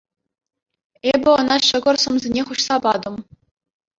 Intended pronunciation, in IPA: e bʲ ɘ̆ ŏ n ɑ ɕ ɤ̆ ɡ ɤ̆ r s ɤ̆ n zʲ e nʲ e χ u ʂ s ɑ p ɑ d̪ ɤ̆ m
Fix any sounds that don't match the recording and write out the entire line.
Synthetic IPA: e bʲ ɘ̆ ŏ n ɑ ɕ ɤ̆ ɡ ɤ̆ r s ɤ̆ m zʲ e nʲ e χ u ɕ s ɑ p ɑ d̪ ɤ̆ m